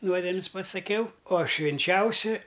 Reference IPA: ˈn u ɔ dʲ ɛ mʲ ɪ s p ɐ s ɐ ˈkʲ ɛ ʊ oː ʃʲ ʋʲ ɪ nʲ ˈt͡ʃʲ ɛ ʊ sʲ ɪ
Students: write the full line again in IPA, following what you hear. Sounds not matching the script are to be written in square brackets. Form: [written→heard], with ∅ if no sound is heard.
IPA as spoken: ˈn u ɔ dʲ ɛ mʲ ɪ s p ɐ s ɐ ˈkʲ ɛ ʊ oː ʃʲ ʋʲ ɪ nʲ ˈt͡ʃʲ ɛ ʊ sʲ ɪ